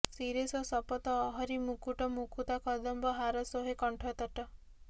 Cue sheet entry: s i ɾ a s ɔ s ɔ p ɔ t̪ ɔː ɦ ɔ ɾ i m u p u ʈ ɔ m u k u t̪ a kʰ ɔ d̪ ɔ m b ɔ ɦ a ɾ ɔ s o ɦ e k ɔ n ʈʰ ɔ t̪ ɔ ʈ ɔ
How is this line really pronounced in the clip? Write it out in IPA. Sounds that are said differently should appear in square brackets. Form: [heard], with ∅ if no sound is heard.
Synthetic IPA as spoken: s i ɾ [e] s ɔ s ɔ p ɔ t̪ ɔː ɦ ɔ ɾ i m u [k] u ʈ ɔ m u k u t̪ a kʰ ɔ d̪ ɔ m b ɔ ɦ a ɾ ɔ s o ɦ e k ɔ [ɳ] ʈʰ ɔ t̪ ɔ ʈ ɔ